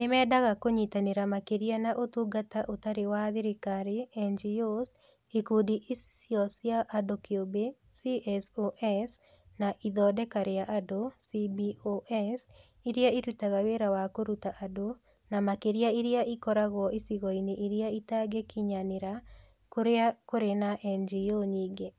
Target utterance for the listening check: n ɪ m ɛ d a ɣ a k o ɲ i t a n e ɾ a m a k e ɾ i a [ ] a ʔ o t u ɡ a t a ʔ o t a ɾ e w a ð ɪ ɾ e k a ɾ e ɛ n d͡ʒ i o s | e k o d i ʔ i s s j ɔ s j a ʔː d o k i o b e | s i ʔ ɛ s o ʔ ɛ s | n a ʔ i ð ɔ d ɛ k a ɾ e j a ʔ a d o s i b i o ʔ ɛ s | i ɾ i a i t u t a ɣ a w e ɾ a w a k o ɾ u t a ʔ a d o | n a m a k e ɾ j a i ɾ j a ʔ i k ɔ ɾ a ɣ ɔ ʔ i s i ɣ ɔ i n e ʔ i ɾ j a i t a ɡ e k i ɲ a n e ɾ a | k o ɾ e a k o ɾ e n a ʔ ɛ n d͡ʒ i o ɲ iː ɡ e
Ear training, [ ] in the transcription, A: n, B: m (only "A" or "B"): A